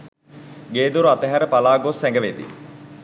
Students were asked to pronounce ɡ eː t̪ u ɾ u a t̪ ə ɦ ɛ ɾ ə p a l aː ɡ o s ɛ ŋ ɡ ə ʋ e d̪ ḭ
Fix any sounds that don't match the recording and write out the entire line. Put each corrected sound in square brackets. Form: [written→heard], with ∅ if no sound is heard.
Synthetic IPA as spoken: ɡ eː [t̪→d̪] u ɾ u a t̪ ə ɦ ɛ ɾ ə p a l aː ɡ o s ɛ ŋ ɡ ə ʋ e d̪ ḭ